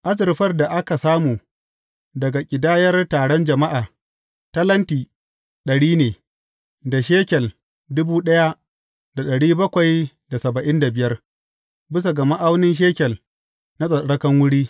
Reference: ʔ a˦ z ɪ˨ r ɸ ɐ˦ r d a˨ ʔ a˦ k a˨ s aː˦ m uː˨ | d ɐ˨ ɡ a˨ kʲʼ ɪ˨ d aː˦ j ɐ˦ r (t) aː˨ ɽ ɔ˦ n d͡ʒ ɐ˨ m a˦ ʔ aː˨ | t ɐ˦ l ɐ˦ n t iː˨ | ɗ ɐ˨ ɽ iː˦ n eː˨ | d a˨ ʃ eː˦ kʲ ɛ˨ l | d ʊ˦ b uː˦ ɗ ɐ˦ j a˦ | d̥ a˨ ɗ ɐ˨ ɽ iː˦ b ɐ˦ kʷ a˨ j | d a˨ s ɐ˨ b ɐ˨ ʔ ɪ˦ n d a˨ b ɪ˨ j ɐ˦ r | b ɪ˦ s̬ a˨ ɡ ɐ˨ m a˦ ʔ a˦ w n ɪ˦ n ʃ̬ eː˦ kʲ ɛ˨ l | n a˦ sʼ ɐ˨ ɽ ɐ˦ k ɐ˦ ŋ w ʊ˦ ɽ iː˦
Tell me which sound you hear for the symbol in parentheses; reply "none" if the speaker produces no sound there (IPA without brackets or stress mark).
t